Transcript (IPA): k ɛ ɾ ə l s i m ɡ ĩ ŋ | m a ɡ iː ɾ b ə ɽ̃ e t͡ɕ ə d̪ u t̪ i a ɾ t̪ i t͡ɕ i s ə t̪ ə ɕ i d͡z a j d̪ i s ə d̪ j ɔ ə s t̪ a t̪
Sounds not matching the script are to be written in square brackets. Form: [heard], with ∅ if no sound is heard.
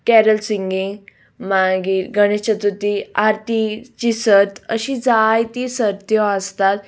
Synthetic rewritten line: k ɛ ɾ ə l s i [ŋ] ɡ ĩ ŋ | m a ɡ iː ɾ [ɡ] ə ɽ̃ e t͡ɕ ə [t̪] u t̪ i a ɾ t̪ i t͡ɕ i s ə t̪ ə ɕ i d͡z a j [t̪] i s ə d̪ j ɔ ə s t̪ a t̪